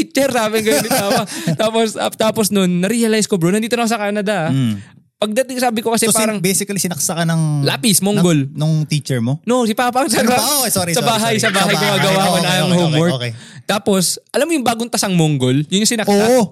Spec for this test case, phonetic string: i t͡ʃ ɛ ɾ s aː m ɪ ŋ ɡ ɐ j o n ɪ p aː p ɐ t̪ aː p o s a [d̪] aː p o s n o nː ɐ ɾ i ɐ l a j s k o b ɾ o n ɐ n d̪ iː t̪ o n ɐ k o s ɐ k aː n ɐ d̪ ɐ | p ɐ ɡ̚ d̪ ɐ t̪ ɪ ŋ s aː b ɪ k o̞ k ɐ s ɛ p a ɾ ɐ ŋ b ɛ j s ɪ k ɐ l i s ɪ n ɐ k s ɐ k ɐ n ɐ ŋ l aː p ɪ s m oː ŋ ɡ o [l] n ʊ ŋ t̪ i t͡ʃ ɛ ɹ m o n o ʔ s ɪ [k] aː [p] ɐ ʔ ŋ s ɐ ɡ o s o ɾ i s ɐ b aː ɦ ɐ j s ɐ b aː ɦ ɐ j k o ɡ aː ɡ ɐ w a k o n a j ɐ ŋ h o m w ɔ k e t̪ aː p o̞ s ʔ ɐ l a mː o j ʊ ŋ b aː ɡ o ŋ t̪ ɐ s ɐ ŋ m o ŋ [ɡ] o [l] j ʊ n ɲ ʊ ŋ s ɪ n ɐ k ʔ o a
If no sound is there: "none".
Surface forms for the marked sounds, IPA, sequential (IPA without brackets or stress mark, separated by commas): t̪, l, p, p, ɡ, l